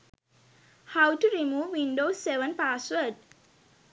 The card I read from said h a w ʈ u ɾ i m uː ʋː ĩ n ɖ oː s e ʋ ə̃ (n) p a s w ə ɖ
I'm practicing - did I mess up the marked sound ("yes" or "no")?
no